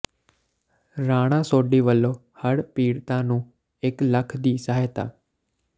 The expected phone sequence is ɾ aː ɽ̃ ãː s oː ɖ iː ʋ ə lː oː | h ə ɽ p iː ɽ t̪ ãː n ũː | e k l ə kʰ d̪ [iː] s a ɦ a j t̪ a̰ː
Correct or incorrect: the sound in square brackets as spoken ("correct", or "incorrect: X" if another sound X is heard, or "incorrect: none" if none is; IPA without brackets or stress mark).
correct